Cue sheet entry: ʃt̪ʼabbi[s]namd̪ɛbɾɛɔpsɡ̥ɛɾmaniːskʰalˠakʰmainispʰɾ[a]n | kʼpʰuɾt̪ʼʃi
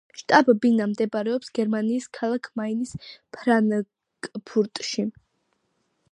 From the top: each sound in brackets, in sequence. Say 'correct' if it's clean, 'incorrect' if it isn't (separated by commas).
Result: incorrect, correct